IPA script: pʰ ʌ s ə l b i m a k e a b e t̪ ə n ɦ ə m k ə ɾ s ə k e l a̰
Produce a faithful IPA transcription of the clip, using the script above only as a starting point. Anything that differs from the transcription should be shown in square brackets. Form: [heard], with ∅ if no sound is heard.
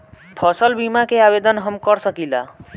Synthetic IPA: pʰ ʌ s ə l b i m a k e a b e [d̪] ə n ɦ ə m k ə ɾ s ə k [i] l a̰